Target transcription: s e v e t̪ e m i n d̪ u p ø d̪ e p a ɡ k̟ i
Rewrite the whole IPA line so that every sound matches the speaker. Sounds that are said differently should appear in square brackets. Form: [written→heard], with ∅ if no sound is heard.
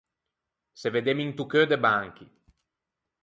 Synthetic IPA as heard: s e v e [t̪→d̪] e m i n [d̪→t̪] u [p→k] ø d̪ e [p→b] a [ɡ→ŋ] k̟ i